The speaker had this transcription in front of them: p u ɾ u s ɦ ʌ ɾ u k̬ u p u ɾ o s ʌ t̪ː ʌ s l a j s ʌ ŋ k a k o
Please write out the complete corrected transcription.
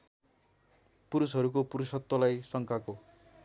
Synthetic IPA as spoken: p u ɾ u s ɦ ʌ ɾ u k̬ o p u ɾ u s ʌ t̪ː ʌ l a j s ʌ ŋ k a k o